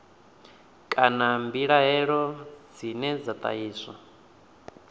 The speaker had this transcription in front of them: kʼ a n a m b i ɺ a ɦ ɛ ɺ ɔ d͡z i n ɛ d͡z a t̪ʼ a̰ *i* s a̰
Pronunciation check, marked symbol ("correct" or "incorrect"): incorrect